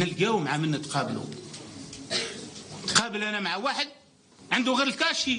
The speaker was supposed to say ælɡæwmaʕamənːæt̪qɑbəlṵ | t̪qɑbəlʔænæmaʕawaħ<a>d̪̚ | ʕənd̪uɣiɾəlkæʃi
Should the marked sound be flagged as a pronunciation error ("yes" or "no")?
yes